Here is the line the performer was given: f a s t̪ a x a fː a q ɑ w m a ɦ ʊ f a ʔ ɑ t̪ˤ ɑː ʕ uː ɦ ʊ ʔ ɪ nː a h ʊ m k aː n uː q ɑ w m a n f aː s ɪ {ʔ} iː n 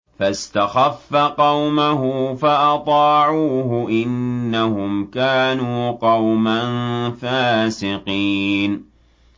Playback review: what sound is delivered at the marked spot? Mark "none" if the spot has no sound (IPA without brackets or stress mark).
q